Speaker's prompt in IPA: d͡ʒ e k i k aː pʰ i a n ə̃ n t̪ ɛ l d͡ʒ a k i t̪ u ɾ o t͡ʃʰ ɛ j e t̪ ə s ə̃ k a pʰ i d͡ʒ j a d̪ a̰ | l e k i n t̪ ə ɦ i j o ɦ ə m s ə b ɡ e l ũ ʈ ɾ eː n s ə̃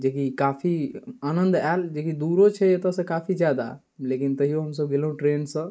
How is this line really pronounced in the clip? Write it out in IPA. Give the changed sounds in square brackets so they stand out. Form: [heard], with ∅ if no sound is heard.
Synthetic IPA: d͡ʒ e k i k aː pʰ i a n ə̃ n [d̪] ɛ l d͡ʒ [e] k i [d̪] u ɾ o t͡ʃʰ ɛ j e t̪ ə s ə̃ k a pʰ i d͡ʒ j a d̪ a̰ | l e k i n t̪ ə ɦ i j o ɦ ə m s ə b ɡ e l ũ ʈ ɾ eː n s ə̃

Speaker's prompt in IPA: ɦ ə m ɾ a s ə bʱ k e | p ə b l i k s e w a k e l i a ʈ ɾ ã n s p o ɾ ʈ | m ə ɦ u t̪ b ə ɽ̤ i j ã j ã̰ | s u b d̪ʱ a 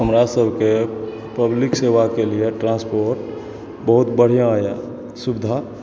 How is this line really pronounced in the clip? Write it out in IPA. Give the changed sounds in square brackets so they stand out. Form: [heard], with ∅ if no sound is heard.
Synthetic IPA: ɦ ə m ɾ a s ə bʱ k e | p ə b l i k s e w a k e l i [e] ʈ ɾ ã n s p o ɾ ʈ | [b] ə ɦ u t̪ b ə ɽ̤ i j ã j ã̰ | s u b d̪ʱ a

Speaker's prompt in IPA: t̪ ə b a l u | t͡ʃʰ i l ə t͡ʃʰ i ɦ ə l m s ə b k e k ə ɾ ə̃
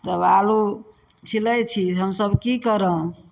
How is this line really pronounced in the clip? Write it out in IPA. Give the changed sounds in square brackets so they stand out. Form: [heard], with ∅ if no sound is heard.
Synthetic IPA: t̪ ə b a l u | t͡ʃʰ i l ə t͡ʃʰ i ɦ ə [∅] m s ə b k [i] k ə ɾ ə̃

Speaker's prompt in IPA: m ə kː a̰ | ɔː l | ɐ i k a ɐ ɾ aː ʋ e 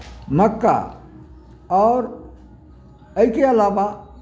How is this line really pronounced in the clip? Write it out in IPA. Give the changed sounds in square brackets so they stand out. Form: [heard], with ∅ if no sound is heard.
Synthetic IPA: m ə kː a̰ | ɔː [ɾ] | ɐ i k [e] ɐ [l] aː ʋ [a]

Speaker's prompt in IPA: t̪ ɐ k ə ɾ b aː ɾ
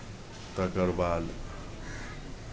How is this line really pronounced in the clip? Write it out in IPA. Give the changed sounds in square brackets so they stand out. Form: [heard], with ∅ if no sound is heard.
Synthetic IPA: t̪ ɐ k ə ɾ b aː [l]

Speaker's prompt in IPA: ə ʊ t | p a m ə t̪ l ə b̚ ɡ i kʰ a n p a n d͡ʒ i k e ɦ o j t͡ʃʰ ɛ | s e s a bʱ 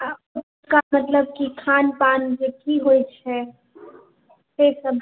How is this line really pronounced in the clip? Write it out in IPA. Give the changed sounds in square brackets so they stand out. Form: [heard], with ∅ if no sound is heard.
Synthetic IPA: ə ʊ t | [k] a m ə t̪ l ə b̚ [k] i kʰ a n p a n d͡ʒ [e] k [i] ɦ o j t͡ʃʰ ɛ | s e s [ə] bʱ

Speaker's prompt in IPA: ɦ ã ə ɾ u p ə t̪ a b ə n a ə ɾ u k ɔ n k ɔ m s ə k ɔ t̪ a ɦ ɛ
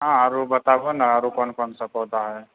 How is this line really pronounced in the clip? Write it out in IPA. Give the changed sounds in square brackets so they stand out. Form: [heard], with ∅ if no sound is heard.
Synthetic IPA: ɦ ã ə ɾ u [b] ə t̪ a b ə n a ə ɾ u k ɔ n k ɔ [n] s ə k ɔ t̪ a ɦ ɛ

